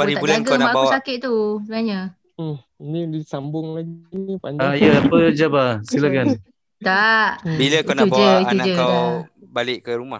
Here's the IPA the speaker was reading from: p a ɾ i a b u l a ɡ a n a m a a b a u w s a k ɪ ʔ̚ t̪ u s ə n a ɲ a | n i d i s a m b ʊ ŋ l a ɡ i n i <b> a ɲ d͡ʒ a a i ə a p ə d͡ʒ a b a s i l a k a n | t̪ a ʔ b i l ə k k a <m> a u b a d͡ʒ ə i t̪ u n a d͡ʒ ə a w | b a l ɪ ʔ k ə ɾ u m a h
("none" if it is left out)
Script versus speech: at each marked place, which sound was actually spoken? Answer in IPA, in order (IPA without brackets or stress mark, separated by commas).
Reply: p, n